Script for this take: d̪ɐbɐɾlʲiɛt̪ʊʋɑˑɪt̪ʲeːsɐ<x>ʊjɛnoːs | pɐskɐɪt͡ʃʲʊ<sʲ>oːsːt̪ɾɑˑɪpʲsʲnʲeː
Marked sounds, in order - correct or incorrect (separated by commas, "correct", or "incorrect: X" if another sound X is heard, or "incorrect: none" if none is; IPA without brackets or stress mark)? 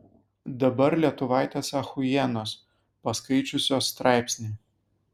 correct, correct